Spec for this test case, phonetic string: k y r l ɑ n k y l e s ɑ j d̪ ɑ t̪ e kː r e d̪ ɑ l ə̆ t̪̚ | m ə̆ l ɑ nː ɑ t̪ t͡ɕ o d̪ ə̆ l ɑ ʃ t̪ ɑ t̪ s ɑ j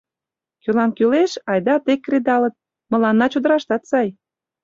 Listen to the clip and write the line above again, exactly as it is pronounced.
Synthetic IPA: k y l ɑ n k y l e ʃ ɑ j d̪ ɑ t̪ e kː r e d̪ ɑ l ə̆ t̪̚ | m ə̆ l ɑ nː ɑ t͡ɕ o d̪ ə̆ ɾ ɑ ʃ t̪ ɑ t̪ s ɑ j